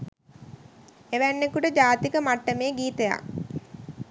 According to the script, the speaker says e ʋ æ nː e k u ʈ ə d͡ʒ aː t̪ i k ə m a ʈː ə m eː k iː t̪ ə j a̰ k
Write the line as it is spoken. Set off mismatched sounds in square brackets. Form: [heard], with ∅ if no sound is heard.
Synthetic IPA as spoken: e ʋ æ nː e k u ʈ ə d͡ʒ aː t̪ i k ə m a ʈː ə m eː [ɡ] iː t̪ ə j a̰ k